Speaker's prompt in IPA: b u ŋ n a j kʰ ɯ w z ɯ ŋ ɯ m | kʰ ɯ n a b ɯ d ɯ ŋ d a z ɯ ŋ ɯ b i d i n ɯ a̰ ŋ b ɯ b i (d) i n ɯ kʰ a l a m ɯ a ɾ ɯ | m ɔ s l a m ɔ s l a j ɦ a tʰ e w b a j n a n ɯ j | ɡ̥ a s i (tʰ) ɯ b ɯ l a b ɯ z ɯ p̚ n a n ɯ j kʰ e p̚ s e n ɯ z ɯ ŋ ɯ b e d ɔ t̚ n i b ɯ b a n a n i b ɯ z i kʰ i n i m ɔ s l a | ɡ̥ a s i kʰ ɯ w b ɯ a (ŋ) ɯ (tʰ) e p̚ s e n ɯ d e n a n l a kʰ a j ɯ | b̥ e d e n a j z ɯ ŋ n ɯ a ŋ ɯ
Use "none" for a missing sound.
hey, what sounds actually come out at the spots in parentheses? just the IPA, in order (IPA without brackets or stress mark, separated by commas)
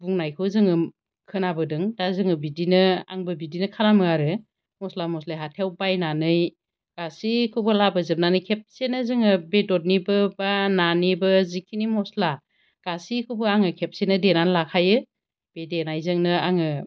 d, kʰ, ŋ, kʰ